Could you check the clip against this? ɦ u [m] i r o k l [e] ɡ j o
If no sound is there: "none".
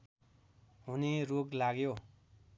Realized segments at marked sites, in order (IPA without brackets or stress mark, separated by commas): n, a